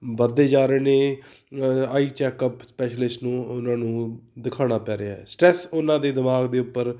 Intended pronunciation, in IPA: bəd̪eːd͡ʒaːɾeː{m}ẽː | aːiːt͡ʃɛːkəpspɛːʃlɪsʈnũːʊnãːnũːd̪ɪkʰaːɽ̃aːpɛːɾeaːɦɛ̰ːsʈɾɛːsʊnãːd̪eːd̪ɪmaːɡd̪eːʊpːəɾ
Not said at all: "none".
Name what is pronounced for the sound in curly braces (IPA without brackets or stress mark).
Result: n